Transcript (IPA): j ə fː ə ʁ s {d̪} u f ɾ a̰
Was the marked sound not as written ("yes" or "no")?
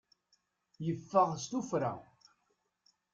yes